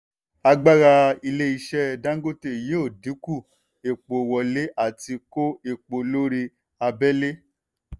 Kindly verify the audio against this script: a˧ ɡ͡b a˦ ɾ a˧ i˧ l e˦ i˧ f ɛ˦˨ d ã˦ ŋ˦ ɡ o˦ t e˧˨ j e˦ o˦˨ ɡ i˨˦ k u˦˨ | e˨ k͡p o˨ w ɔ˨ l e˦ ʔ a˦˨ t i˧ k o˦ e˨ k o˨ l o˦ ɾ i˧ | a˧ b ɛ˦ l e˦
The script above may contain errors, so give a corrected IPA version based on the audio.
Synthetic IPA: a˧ ɡ͡b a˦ ɾ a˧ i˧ l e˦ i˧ ʃ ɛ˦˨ d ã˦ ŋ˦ ɡ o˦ t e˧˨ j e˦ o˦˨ d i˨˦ k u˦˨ | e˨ k͡p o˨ w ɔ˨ l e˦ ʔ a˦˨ t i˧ k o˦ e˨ k͡p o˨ l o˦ ɾ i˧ | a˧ b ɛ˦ l e˦